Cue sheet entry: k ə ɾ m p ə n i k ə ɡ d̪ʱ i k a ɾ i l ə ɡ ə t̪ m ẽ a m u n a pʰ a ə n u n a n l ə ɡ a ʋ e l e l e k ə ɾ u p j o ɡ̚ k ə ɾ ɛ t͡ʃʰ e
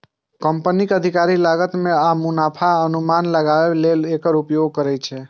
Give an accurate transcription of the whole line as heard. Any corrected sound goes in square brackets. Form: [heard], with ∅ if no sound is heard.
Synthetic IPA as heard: k ə [∅] m p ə n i k ə [∅] d̪ʱ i k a ɾ i l [a] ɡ ə t̪ m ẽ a m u n a pʰ a ə n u [m] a n l ə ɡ a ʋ e l e l e k ə ɾ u p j o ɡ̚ k ə ɾ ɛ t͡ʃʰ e